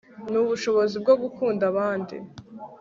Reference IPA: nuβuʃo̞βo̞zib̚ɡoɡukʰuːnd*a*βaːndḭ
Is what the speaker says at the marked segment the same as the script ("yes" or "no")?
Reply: yes